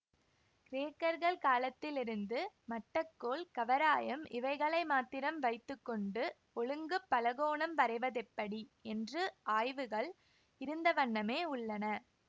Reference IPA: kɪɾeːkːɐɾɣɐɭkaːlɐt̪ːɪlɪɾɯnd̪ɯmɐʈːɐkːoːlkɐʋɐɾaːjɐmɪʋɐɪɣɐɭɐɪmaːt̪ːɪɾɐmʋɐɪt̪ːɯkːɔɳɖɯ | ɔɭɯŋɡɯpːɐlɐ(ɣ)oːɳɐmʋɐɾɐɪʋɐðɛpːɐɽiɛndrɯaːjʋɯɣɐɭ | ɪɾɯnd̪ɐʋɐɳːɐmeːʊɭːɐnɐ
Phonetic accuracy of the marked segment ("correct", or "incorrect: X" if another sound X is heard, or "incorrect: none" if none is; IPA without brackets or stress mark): correct